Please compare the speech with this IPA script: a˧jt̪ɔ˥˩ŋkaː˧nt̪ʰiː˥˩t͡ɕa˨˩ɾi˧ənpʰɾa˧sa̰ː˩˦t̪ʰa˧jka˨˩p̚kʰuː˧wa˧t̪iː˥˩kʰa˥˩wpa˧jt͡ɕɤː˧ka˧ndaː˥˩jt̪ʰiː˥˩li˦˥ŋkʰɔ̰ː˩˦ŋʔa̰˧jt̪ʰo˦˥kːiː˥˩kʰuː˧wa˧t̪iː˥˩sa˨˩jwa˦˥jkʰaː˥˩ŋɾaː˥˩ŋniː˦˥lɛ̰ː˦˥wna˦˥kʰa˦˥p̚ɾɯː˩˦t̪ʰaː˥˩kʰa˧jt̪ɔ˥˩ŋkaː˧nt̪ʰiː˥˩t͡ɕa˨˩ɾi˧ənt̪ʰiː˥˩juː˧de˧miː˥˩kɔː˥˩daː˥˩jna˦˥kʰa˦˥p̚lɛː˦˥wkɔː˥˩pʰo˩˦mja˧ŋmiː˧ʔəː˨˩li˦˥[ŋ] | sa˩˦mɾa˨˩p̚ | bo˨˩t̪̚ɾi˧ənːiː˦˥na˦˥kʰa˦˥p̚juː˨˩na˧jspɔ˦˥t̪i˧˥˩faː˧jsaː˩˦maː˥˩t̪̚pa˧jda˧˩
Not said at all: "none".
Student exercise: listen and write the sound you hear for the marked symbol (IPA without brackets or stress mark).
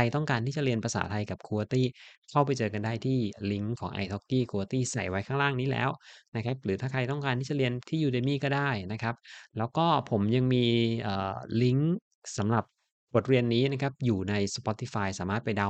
ŋ